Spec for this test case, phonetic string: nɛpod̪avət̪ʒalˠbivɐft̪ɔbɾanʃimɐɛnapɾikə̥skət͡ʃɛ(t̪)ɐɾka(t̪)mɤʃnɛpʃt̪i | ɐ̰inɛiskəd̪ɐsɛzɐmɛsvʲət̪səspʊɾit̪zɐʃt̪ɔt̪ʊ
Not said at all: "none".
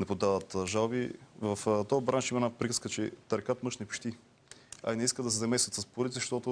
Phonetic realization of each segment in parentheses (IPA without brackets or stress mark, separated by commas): t̪, t̪